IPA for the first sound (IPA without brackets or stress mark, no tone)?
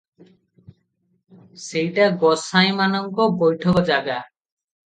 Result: s